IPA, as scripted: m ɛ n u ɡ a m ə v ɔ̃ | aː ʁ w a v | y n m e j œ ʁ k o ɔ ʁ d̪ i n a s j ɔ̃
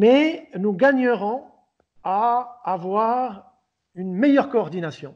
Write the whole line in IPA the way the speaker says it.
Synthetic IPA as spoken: m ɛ n u ɡ a ɲ ə ʁ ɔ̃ | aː v w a ʁ | y n m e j œ ʁ k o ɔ ʁ d̪ i n a s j ɔ̃

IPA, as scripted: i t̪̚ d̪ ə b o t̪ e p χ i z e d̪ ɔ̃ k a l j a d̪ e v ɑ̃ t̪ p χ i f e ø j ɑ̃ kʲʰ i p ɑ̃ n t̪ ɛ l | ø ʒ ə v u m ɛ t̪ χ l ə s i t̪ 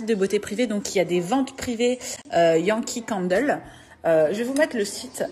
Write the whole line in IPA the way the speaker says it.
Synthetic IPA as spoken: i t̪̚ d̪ ə b o t̪ e p χ i v e d̪ ɔ̃ k i l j a d̪ e v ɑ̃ t̪ p χ i v e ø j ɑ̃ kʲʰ i k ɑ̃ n d̪ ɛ l | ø ʒ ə v u m ɛ t̪ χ l ə s i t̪

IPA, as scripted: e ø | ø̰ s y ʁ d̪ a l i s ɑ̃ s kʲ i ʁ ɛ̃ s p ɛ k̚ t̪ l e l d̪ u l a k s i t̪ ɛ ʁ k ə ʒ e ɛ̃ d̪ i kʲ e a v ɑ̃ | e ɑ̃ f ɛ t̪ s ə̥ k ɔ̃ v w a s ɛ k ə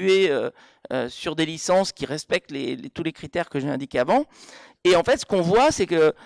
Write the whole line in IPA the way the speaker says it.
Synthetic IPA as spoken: e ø | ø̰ s y ʁ d̪ e l i s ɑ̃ s kʲ i ʁ ɛ s p ɛ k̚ t̪ l e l t̪ u l e k χ i t̪ ɛ ʁ k ə ʒ e ɛ̃ d̪ i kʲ e a v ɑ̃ | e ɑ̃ f ɛ t̪ s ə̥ k ɔ̃ v w a s ɛ k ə

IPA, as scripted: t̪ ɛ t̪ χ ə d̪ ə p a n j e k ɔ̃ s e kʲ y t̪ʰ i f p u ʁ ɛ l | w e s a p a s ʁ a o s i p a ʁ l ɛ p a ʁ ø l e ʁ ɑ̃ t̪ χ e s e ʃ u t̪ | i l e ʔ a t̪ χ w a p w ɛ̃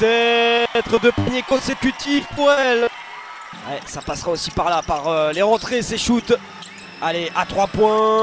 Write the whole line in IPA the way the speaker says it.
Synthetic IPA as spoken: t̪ ɛ t̪ χ ə d̪ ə p a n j e k ɔ̃ s e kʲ y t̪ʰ i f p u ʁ ɛ l | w ɛ s a p a s ʁ a o s i p a ʁ l a p a ʁ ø l e ʁ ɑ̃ t̪ χ e s e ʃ u t̪ | a l e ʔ a t̪ χ w a p w ɛ̃

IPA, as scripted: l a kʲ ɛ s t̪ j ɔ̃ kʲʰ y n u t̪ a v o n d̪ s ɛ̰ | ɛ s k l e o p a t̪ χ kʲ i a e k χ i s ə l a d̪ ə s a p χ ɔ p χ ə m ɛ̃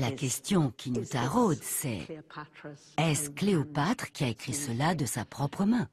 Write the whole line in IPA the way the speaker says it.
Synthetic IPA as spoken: l a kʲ ɛ s t̪ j ɔ̃ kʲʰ i n u t̪ a ʁ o d̪ s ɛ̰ | ɛ s k l e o p a t̪ χ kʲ i a e k χ i s ə l a d̪ ə s a p χ ɔ p χ ə m ɛ̃

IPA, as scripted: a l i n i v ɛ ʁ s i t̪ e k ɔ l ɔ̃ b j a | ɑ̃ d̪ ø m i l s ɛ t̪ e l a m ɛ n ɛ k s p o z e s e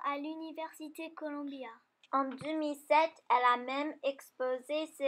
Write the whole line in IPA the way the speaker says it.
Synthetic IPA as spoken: a l y n i v ɛ ʁ s i t̪ e k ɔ l ɔ̃ b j a | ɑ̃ d̪ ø m i l s ɛ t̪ ɛ l a m ɛ m ɛ k s p o z e s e

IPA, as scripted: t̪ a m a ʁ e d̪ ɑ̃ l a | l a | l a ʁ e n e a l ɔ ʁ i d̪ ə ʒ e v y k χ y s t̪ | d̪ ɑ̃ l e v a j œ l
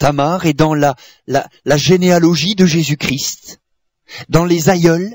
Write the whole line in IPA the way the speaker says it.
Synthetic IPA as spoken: t̪ a m a ʁ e d̪ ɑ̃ l a | l a | l a ʒ e n e a l ɔ ʒ i d̪ ə ʒ e z y k χ i s t̪ | d̪ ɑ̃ l e z a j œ l

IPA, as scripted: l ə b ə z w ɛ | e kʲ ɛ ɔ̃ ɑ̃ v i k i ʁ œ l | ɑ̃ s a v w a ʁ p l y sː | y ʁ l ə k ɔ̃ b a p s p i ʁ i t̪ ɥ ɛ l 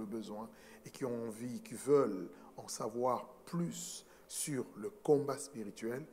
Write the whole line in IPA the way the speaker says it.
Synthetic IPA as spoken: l ə b ə z w ɛ̃ | e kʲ i ɔ̃ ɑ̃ v i k i v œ l | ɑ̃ s a v w a ʁ p l y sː | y ʁ l ə k ɔ̃ b a s p i ʁ i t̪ ɥ ɛ l

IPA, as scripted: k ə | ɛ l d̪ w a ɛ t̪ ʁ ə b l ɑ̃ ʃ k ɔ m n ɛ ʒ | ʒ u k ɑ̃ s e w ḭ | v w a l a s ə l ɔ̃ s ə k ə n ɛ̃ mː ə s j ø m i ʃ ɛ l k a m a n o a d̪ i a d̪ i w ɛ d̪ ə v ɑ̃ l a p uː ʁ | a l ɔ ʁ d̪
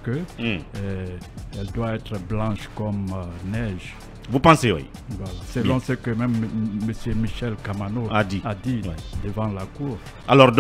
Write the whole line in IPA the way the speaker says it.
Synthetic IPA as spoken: k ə | ɛ l d̪ w a ɛ t̪ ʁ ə b l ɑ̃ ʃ k ɔ m n ɛ ʒ | v u p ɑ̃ s e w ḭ | v w a l a s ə l ɔ̃ s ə k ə m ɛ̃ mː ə s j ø m i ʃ ɛ l k a m a n o a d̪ i a d̪ i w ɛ d̪ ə v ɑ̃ l a k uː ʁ | a l ɔ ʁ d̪

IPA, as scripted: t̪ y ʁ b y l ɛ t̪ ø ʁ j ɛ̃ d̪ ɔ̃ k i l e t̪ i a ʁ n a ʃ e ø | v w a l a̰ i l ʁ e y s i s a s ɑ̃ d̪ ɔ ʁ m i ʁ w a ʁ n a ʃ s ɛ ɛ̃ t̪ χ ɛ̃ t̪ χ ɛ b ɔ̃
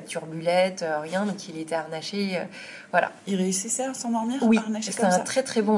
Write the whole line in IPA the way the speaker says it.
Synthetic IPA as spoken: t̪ y ʁ b y l ɛ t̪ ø ʁ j ɛ̃ d̪ ɔ̃ k i l e t̪ ɛ a ʁ n a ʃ e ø | v w a l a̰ i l ʁ e y s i s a s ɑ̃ d̪ ɔ ʁ m i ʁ w i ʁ n a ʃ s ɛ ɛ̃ t̪ χ ɛ t̪ χ ɛ b ɔ̃

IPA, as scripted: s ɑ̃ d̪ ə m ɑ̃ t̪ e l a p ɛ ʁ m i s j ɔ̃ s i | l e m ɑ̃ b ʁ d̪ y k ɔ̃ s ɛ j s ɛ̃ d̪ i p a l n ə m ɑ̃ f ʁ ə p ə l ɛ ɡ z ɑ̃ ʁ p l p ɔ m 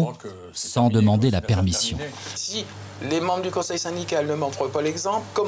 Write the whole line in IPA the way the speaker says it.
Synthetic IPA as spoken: s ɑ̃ d̪ ə m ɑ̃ d̪ e l a p ɛ ʁ m i s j ɔ̃ s i | l e m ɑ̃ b ʁ d̪ y k ɔ̃ s ɛ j s ɛ̃ d̪ i k a l n ə m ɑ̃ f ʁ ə p a l ɛ ɡ z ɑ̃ p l k ɔ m

